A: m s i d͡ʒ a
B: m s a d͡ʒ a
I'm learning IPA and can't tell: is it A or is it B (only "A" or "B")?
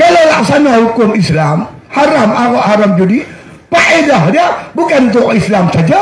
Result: B